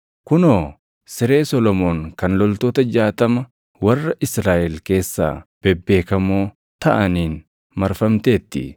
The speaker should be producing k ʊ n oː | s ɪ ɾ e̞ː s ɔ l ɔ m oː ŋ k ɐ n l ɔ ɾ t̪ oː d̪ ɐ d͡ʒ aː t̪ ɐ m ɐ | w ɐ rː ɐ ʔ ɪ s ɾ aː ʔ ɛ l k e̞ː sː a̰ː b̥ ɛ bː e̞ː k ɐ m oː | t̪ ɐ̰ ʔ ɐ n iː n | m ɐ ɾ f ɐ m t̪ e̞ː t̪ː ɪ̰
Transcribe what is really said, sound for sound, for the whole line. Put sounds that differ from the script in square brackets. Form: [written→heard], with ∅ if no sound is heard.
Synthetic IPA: k ʊ n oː | s ɪ ɾ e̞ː s ɔ l ɔ m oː ŋ k ɐ n l ɔ [ɾ→l] t̪ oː [d̪→t̪] ɐ d͡ʒ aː t̪ ɐ m ɐ | w ɐ rː ɐ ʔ ɪ s ɾ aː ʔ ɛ l k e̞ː sː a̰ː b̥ ɛ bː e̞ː k ɐ m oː | t̪ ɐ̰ ʔ ɐ n iː n | m ɐ ɾ f ɐ m t̪ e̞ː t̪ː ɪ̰